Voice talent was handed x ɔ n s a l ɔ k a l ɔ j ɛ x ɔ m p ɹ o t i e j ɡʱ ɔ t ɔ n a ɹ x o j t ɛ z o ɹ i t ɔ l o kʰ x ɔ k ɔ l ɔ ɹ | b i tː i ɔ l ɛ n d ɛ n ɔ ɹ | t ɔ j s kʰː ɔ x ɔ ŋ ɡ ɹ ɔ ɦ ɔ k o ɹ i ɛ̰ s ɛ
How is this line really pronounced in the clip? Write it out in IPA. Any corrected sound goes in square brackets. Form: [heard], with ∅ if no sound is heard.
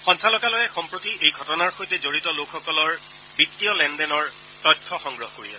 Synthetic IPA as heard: x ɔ n s a l ɔ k a l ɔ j ɛ x ɔ m p ɹ o t i e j ɡʱ ɔ t ɔ n a ɹ x o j t ɛ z o ɹ i t ɔ l o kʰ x ɔ k ɔ l ɔ ɹ | b i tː i ɔ l ɛ n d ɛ n ɔ ɹ | t ɔ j [t] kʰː ɔ x ɔ ŋ ɡ ɹ ɔ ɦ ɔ k o ɹ i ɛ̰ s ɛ